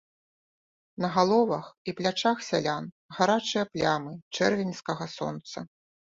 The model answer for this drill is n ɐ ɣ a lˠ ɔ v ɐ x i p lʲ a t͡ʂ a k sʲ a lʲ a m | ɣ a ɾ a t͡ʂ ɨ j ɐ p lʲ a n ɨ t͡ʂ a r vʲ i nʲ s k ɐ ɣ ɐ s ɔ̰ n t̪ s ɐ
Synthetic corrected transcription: n ɐ ɣ a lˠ ɔ v ɐ x i p lʲ a t͡ʂ a x sʲ a lʲ a n | ɣ a ɾ a t͡ʂ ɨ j ɐ p lʲ a m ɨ t͡ʂ ɛ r vʲ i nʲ s k ɐ ɣ ɐ s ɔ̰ n t̪ s ɐ